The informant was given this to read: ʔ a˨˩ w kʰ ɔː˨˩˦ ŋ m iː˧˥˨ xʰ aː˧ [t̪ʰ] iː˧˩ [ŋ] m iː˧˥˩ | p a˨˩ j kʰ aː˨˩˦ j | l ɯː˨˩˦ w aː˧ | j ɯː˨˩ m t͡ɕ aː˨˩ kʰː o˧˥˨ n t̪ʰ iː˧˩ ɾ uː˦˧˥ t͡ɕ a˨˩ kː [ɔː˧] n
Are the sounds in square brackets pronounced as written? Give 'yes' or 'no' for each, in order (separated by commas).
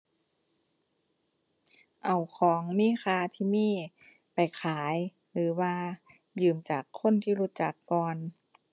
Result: yes, no, yes